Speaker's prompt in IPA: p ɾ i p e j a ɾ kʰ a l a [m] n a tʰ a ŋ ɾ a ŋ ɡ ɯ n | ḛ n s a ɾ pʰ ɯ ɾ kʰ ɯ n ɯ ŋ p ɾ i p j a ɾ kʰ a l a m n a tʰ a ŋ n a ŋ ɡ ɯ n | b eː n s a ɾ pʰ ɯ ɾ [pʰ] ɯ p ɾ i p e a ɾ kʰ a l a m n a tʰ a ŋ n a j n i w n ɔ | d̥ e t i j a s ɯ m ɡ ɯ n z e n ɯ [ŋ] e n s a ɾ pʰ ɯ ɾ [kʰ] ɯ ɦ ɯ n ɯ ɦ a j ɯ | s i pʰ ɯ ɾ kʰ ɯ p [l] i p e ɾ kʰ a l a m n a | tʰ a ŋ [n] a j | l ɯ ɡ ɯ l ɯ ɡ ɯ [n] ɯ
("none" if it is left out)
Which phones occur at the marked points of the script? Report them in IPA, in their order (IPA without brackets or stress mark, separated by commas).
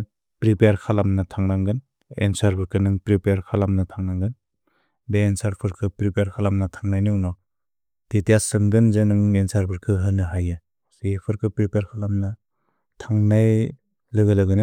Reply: m, kʰ, ŋ, kʰ, ɾ, n, n